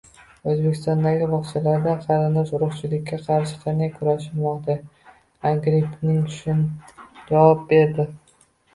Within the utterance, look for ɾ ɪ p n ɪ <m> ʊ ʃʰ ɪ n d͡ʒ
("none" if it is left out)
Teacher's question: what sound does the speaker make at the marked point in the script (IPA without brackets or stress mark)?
ŋ